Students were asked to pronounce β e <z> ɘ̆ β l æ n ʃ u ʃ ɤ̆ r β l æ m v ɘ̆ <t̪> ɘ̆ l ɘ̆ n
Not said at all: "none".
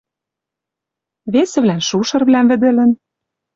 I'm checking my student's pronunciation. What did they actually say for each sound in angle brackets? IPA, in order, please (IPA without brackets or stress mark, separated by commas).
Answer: s, d̪